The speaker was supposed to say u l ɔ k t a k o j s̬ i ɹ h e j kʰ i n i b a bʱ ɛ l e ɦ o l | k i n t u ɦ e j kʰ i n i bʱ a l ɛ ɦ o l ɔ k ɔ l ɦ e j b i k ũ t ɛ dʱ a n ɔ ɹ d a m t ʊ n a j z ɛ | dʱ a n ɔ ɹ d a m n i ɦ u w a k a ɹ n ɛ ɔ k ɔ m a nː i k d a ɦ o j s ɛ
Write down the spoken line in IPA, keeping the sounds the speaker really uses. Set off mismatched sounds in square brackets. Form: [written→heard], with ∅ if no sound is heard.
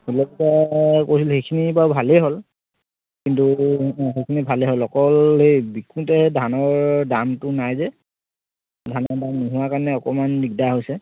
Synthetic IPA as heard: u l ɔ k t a k o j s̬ i [ɹ→l] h e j kʰ i n i b a bʱ [ɛ→a] l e ɦ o l | k i n t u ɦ e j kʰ i n i bʱ a l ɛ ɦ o l ɔ k ɔ l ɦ e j b i k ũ t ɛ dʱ a n ɔ ɹ d a m t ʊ n a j z ɛ | dʱ a n ɔ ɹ d a m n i ɦ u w a k a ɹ n ɛ ɔ k ɔ m a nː i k d a ɦ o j s ɛ